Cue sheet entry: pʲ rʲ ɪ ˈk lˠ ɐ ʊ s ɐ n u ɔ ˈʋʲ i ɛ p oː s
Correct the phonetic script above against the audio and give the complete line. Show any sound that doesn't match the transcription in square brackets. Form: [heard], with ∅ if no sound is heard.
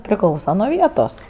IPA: pʲ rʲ ɪ ˈk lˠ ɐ ʊ s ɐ n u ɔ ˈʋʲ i ɛ [t] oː s